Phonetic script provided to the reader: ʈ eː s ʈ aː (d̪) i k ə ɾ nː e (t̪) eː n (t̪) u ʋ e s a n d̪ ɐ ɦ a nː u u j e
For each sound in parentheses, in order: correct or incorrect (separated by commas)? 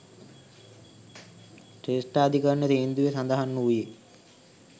correct, correct, incorrect